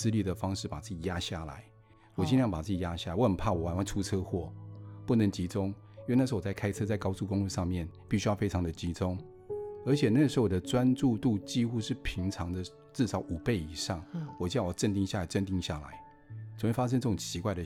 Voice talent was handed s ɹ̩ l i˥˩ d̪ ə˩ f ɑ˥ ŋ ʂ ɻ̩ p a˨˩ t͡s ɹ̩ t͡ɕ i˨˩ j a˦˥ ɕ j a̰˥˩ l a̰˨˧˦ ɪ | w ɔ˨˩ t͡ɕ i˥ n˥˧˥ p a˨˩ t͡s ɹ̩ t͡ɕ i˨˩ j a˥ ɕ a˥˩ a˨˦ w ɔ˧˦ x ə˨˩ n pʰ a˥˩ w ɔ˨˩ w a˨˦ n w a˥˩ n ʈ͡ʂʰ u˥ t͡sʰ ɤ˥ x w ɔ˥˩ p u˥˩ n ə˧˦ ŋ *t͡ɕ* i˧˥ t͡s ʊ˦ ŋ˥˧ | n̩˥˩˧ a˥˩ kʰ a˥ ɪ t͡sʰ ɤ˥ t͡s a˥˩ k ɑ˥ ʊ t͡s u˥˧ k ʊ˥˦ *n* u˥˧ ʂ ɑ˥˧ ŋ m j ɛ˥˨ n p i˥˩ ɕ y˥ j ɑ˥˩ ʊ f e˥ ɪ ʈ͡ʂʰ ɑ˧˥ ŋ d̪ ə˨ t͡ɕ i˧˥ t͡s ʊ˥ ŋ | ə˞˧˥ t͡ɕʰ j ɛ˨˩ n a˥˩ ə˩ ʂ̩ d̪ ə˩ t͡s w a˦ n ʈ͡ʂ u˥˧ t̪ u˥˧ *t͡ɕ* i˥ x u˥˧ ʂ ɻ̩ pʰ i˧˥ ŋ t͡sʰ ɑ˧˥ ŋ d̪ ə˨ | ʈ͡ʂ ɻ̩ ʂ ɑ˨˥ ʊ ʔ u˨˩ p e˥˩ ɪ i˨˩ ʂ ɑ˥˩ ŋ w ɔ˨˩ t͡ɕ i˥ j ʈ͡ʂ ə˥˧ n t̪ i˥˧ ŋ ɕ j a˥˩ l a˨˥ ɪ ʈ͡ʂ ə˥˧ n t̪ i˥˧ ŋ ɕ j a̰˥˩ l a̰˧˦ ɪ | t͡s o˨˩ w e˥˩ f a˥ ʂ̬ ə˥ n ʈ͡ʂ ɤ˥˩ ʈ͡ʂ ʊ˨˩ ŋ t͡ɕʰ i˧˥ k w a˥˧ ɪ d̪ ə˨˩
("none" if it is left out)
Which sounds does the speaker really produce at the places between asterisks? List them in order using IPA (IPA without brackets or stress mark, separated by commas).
t͡ɕ, ŋ, t͡ɕ